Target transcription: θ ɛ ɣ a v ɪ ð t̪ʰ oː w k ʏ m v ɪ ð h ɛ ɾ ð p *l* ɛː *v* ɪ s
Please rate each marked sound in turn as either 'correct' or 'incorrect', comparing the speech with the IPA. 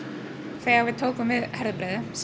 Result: incorrect, incorrect

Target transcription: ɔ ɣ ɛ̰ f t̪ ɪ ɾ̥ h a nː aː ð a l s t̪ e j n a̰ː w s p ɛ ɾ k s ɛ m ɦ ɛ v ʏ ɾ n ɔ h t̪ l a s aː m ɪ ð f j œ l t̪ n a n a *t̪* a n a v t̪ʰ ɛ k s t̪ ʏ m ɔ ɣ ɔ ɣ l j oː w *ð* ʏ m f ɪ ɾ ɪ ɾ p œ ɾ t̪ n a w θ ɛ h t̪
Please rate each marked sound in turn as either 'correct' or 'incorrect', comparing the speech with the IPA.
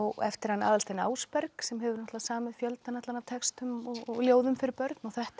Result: correct, correct

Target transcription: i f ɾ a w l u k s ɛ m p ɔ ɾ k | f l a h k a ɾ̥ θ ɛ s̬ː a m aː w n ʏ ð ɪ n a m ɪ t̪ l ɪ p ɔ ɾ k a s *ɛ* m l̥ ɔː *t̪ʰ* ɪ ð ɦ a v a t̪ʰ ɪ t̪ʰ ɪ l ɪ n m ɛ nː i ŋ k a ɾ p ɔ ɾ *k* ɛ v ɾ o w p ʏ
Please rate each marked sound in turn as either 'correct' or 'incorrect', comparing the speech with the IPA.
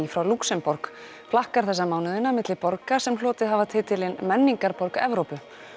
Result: correct, incorrect, correct

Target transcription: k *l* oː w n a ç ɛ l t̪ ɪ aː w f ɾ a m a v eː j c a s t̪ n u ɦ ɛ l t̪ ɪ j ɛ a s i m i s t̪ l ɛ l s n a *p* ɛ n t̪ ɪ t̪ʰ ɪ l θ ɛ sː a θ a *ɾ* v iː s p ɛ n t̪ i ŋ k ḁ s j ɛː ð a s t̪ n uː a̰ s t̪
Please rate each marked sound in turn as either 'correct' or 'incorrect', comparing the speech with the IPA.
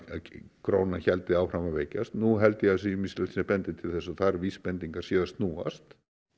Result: incorrect, correct, correct

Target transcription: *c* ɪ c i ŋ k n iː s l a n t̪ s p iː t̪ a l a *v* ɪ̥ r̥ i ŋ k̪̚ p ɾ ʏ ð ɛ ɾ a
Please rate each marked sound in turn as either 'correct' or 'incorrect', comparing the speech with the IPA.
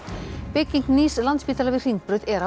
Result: incorrect, correct

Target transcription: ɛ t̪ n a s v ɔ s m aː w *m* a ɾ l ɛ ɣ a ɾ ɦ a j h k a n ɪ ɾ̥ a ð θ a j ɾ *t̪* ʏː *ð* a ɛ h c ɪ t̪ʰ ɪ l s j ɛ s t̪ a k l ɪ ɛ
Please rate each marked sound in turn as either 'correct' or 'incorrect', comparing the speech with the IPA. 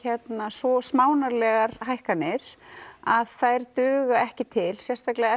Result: incorrect, correct, incorrect

